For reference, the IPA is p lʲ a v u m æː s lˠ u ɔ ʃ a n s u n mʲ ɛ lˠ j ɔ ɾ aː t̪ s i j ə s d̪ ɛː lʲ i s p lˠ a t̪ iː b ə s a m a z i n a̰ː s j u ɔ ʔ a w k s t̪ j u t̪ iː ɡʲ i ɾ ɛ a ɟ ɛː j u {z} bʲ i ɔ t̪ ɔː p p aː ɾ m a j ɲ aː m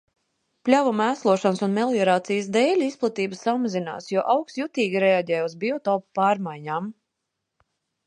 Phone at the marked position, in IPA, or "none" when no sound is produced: z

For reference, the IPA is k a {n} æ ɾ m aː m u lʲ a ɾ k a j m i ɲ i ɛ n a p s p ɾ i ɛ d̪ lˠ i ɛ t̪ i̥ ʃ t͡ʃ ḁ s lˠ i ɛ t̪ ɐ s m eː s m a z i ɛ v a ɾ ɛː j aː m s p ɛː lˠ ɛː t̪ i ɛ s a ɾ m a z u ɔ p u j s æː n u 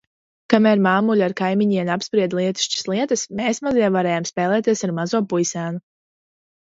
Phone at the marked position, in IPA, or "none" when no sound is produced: m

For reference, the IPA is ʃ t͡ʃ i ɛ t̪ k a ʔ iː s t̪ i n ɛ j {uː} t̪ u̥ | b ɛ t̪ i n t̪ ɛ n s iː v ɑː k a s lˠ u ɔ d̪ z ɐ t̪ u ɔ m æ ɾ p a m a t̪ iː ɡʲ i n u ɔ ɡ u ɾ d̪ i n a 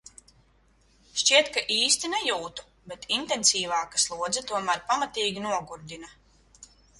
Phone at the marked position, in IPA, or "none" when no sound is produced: uː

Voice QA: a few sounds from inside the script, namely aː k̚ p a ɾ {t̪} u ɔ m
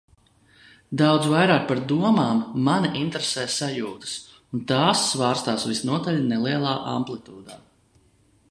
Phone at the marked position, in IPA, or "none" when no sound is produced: d̪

